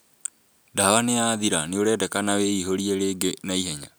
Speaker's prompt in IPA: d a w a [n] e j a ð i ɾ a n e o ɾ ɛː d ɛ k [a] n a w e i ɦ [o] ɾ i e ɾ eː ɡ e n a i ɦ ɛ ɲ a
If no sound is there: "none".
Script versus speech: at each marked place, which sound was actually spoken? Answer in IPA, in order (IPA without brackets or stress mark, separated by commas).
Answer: n, a, o